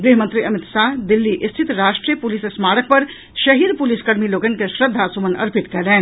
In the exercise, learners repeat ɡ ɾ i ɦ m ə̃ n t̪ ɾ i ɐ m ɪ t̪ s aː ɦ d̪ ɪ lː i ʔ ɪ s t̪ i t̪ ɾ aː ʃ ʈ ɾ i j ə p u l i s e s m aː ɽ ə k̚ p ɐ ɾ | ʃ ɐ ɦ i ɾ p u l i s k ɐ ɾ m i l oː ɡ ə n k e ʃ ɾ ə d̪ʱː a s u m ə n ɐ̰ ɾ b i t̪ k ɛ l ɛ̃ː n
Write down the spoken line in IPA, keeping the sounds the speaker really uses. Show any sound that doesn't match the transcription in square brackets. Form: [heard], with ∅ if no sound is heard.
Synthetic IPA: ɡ ɾ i ɦ m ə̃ n t̪ ɾ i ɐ m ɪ t̪ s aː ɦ d̪ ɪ lː i ʔ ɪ s [t̪ʰ] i t̪ ɾ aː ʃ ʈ ɾ i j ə p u l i s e s m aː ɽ ə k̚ p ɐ ɾ | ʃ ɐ ɦ i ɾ p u l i s k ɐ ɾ m i l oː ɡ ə n k e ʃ ɾ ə d̪ʱː a s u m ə n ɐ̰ ɾ [p] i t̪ k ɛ l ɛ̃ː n